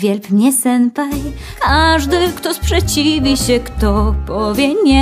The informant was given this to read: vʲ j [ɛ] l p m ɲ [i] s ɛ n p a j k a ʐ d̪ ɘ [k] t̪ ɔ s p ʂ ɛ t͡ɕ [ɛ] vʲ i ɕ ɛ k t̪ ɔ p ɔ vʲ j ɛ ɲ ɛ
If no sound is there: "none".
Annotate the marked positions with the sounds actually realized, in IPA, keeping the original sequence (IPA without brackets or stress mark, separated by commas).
ɛ, ɛ, k, i